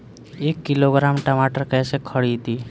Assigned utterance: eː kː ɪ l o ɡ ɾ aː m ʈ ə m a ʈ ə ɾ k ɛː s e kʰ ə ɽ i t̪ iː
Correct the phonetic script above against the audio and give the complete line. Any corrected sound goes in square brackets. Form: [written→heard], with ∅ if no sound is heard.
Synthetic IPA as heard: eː kː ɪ l o ɡ ɾ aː m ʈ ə m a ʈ ə ɾ k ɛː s e kʰ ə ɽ i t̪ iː